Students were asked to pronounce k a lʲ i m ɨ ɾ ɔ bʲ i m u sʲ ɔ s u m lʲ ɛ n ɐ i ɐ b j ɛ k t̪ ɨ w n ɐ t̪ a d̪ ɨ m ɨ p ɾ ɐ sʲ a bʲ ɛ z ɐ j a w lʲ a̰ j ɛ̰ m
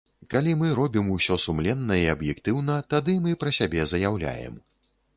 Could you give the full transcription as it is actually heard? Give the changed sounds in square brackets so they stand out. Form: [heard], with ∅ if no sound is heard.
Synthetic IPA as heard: k a lʲ i m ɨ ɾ ɔ bʲ i m u sʲ ɔ s u m lʲ ɛ [nː] ɐ i ɐ b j ɛ k t̪ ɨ w n ɐ t̪ a d̪ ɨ m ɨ p ɾ ɐ sʲ a bʲ ɛ z ɐ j a w lʲ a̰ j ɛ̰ m